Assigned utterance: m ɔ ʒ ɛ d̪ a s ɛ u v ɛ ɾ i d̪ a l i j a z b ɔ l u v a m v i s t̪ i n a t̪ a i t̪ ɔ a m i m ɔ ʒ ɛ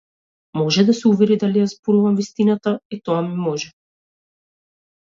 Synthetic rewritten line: m ɔ ʒ ɛ d̪ a s ɛ u v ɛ ɾ i d̪ a l i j a z b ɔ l u v a m v i s t̪ i n a t̪ a i t̪ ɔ a m i m ɔ ʒ ɛ